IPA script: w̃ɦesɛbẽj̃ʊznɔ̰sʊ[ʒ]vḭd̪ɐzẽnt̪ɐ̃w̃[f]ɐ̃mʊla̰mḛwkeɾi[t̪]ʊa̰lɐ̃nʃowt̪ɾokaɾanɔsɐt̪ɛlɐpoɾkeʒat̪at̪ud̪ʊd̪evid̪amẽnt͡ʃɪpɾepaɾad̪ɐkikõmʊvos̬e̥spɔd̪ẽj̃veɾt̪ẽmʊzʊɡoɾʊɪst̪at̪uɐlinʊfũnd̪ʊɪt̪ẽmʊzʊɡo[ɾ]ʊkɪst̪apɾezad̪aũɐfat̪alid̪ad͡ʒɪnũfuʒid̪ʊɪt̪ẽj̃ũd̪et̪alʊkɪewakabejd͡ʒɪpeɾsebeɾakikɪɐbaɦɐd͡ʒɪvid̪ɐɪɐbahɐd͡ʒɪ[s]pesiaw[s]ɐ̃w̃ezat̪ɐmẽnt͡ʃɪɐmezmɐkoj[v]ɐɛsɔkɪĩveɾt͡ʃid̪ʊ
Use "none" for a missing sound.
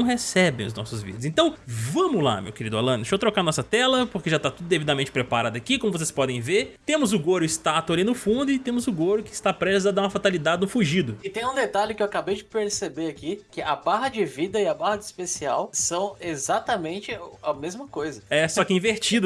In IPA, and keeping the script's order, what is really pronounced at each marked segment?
z, v, d̪, ɾ, s, s, z

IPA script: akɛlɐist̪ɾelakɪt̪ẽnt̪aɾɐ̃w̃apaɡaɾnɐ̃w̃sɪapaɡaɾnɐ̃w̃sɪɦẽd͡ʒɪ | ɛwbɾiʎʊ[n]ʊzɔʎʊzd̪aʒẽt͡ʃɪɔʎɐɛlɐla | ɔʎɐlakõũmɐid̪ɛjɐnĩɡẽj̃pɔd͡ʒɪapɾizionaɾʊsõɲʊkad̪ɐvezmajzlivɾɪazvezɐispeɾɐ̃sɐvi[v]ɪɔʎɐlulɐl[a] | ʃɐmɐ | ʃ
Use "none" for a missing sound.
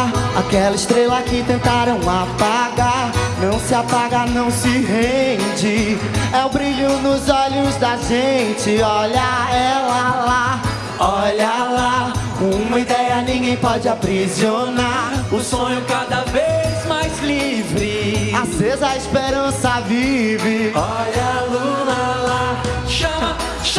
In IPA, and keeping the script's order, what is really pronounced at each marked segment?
n, v, a

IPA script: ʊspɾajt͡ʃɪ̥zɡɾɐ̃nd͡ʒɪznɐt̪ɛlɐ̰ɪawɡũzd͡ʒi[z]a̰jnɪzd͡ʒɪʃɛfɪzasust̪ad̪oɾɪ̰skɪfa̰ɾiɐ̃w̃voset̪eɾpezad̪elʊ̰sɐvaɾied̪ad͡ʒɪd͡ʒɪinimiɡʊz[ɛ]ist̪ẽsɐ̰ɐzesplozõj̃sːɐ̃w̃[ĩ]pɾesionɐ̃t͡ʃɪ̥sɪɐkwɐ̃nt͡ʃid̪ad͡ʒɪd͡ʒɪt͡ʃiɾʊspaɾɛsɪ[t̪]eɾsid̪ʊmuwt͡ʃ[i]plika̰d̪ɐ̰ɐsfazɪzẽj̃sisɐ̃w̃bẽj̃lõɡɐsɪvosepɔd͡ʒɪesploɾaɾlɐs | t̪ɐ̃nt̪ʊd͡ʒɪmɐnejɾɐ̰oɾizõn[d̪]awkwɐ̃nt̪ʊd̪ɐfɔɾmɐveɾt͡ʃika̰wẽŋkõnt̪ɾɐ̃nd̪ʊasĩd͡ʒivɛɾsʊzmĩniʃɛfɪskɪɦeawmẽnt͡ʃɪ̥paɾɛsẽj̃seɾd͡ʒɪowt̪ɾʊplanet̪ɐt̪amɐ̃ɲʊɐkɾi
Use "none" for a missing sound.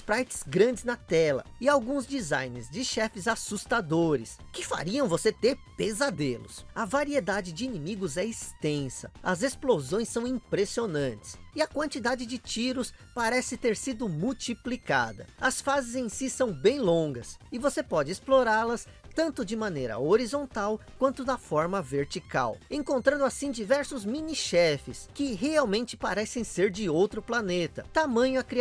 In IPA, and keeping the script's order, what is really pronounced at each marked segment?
z, ɛ, ĩ, t̪, i, t̪

